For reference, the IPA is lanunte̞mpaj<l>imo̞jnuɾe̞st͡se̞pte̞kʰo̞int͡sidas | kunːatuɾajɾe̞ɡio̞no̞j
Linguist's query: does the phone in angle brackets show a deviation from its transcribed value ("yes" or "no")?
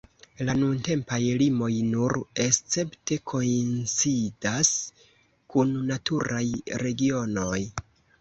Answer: no